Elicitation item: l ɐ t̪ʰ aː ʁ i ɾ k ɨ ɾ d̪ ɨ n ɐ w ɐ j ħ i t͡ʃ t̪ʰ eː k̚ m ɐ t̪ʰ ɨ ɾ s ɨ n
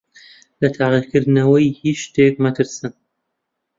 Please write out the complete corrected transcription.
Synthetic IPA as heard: l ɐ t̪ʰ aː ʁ i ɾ k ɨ ɾ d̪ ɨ n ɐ w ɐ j h i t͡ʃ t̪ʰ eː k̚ m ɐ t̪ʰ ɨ ɾ s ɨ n